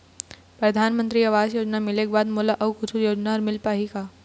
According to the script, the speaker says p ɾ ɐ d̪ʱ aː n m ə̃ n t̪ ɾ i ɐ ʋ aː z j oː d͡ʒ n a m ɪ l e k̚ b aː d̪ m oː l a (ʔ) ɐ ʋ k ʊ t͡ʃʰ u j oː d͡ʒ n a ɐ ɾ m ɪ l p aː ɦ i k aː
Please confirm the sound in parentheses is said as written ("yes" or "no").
yes